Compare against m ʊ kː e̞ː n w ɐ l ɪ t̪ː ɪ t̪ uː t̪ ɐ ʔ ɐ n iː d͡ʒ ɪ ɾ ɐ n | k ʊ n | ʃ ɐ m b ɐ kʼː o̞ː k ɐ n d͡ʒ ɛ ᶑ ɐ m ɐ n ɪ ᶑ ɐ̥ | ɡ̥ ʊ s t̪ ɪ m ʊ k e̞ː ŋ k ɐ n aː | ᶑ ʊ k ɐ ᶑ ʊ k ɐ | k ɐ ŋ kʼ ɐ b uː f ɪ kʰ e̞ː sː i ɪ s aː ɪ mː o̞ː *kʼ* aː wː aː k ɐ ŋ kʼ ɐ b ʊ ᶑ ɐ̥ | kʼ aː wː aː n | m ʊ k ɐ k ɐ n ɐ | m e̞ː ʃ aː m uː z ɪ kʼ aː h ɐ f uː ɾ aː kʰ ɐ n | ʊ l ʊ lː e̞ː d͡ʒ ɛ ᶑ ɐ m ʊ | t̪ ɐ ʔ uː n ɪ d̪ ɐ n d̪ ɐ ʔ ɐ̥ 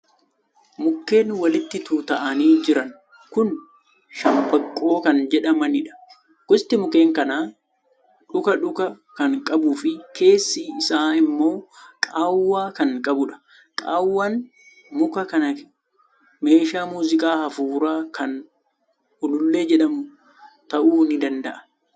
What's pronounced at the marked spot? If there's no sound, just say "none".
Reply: kʼ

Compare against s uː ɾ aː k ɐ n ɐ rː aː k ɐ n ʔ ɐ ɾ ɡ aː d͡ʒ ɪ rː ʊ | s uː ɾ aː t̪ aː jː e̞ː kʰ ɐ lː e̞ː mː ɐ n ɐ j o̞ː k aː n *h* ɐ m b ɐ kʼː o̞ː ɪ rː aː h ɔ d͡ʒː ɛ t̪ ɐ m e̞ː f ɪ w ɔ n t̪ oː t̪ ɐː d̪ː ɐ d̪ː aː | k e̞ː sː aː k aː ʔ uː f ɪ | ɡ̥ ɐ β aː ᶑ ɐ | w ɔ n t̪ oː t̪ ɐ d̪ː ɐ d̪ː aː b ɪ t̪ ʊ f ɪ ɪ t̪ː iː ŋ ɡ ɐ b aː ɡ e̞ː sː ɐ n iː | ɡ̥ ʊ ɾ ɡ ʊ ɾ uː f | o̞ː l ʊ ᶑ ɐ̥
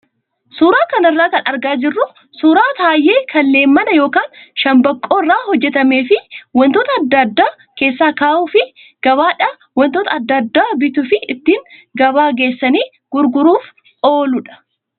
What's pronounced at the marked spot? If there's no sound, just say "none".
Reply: ʃ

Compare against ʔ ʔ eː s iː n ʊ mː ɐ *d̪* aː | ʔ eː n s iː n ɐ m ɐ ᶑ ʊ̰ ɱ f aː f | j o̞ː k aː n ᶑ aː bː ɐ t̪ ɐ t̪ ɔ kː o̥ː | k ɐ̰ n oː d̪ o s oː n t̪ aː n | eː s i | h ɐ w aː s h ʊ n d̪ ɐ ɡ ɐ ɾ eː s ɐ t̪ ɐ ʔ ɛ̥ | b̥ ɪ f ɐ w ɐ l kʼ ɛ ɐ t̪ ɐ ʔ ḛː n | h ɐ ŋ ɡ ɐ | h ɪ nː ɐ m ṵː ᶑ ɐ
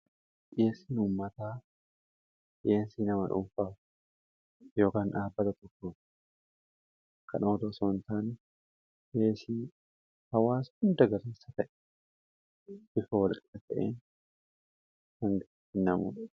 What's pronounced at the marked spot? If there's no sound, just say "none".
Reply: t̪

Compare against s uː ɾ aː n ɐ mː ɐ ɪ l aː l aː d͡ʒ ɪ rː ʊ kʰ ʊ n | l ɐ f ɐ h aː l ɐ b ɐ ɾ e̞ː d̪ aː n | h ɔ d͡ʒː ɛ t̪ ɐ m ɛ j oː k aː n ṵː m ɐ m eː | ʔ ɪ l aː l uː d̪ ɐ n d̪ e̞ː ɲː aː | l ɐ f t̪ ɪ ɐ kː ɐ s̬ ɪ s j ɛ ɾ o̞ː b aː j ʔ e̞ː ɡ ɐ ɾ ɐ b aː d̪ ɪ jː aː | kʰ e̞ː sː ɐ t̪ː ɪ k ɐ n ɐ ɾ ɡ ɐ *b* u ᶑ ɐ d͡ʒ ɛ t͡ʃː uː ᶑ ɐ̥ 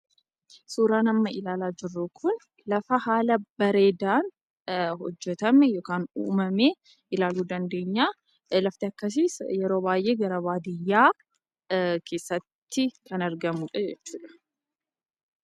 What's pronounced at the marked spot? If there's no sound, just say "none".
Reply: m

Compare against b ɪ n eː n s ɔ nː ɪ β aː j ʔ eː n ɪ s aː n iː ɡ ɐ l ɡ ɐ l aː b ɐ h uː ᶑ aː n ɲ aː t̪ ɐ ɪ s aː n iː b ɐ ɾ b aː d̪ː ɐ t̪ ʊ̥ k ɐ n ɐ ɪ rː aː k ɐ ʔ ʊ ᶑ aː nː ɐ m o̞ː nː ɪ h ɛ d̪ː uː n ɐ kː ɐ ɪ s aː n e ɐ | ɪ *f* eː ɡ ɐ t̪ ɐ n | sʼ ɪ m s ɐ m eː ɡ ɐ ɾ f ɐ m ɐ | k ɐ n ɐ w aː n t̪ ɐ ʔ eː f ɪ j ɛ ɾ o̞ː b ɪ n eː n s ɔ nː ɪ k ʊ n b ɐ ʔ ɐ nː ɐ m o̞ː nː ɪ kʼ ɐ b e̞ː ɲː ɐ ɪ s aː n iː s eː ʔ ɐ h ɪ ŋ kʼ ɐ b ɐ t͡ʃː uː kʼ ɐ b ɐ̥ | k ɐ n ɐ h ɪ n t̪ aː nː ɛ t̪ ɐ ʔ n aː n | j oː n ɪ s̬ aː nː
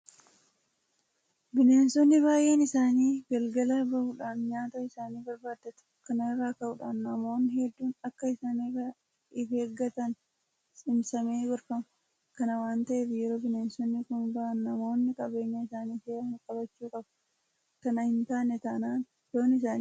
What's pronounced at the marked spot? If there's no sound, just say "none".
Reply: f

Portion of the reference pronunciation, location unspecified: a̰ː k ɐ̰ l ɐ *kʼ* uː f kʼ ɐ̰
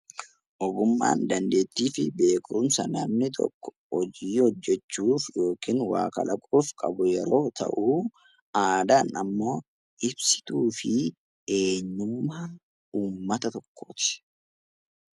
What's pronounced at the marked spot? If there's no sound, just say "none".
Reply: kʼ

